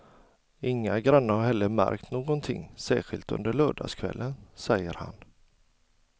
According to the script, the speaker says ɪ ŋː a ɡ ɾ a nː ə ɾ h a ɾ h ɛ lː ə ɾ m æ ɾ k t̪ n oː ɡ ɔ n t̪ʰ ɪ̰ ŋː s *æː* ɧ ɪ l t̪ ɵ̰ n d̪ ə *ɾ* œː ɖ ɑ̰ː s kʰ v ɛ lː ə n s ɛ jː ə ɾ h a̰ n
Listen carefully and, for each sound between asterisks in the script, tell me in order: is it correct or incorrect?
correct, incorrect: ɭ

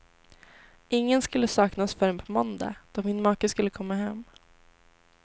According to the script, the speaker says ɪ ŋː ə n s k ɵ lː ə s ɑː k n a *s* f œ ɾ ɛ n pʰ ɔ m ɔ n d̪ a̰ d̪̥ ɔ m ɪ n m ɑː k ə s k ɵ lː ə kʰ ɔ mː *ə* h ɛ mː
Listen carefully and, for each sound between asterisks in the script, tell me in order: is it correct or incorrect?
correct, incorrect: a

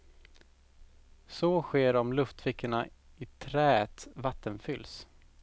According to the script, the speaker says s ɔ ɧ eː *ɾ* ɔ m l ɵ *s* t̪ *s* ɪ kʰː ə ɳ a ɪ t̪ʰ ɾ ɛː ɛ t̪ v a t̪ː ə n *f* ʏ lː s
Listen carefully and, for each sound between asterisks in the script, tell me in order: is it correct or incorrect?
correct, incorrect: f, incorrect: f, correct

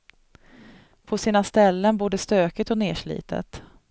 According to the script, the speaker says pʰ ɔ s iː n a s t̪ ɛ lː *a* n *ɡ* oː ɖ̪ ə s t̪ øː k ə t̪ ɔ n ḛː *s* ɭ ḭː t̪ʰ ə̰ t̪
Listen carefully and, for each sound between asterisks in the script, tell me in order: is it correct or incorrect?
incorrect: ə, incorrect: b, incorrect: ʂ

